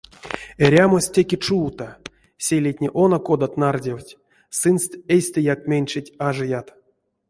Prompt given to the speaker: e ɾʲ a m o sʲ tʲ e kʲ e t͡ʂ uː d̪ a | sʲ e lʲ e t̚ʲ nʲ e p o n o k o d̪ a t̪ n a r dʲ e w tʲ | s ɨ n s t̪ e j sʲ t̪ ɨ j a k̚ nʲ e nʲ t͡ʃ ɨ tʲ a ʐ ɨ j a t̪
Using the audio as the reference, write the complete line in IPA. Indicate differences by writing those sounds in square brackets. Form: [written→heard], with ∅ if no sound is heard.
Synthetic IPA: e ɾʲ a m o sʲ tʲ e kʲ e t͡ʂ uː [d̪→t̪] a | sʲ e lʲ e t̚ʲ nʲ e [p→ʔ] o n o k o d̪ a t̪ n a r dʲ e w tʲ | s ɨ n s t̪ e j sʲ t̪ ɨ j a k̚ [nʲ→mʲ] e nʲ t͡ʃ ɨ tʲ a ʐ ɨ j a t̪

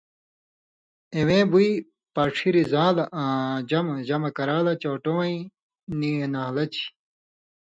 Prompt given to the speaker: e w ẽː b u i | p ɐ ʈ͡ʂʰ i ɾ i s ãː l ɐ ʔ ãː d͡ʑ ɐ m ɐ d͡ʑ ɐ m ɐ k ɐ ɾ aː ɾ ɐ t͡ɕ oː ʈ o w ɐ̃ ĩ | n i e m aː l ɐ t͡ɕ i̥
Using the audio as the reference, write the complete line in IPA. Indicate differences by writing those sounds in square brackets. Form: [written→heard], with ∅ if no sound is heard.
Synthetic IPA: e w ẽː b u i | p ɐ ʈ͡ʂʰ i ɾ i [s→z] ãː l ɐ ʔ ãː d͡ʑ ɐ m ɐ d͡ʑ ɐ m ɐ k ɐ ɾ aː [ɾ→l] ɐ t͡ɕ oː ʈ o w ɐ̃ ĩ | n i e [m→n] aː l ɐ t͡ɕ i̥

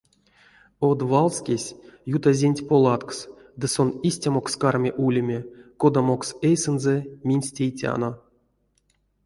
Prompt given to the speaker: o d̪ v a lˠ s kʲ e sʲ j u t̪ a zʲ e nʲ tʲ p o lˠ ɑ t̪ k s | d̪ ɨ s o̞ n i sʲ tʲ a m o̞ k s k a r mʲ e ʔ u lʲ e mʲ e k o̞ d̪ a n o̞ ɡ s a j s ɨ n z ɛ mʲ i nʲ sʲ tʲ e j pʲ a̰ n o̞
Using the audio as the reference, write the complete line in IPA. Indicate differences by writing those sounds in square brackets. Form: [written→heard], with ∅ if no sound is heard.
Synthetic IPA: o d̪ v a lˠ s kʲ e sʲ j u t̪ a zʲ e nʲ tʲ p o lˠ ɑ t̪ k s | d̪ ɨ s o̞ n i sʲ tʲ a m o̞ k s k a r mʲ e ʔ u lʲ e mʲ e k o̞ d̪ a [n→m] o̞ [ɡ→k] s [a→e] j s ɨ n z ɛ mʲ i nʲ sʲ tʲ e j [pʲ→tʲ] a̰ n o̞

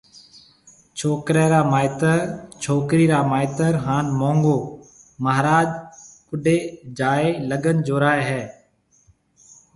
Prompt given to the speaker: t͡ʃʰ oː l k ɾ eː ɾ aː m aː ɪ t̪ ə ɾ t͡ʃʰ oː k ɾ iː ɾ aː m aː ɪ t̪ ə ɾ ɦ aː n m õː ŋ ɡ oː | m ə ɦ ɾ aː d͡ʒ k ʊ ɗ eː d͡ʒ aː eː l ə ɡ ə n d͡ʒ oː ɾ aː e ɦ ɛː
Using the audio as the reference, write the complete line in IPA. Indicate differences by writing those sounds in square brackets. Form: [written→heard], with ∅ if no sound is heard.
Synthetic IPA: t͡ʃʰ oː [l→∅] k ɾ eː ɾ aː m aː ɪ t̪ ə ɾ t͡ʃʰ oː k ɾ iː ɾ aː m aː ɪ t̪ ə ɾ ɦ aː n m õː ŋ ɡ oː | m ə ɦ ɾ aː d͡ʒ k ʊ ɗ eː d͡ʒ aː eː l ə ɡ ə n d͡ʒ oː ɾ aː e ɦ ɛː

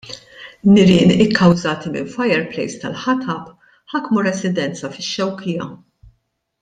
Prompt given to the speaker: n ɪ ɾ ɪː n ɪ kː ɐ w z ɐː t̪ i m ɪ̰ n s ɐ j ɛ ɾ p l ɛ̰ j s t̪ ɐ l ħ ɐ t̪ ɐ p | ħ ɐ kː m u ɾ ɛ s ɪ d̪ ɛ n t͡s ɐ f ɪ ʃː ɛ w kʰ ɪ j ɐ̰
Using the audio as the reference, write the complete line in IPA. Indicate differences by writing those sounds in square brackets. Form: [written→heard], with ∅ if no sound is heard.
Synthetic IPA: n ɪ ɾ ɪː n ɪ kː ɐ w z ɐː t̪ i m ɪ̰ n [s→f] ɐ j ɛ ɾ p l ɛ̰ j s t̪ ɐ l ħ ɐ t̪ ɐ p | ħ ɐ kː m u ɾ ɛ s ɪ d̪ ɛ n t͡s ɐ f ɪ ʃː ɛ w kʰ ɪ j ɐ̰

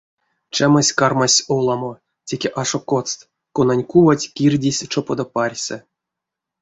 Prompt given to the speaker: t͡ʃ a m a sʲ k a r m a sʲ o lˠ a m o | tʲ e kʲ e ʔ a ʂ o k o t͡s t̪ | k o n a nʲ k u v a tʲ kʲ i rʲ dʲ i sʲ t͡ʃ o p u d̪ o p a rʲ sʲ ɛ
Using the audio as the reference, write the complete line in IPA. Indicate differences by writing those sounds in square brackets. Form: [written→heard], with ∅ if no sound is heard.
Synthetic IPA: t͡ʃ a m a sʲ k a r m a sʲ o lˠ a m o | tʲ e kʲ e ʔ a ʂ o k o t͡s t̪ | k o n a nʲ k u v a tʲ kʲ i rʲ dʲ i sʲ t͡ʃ o p [u→o] d̪ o p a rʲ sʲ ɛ

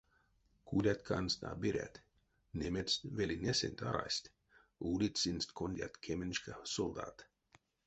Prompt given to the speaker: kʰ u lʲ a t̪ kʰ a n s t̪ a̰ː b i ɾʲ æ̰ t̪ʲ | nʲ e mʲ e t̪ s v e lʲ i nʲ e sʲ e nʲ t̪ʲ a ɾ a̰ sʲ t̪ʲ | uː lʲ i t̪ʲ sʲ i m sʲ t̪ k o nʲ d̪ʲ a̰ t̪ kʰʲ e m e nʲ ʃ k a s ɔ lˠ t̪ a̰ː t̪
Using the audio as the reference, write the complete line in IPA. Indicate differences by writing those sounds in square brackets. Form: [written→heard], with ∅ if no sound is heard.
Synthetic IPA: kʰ u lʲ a t̪ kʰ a n s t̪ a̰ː b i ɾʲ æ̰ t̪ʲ | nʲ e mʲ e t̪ s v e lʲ i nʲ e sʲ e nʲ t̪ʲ a ɾ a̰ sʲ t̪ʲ | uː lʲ i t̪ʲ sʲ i [m→n] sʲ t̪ k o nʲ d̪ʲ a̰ t̪ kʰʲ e m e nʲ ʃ k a s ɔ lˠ [t̪→d̪] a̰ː t̪

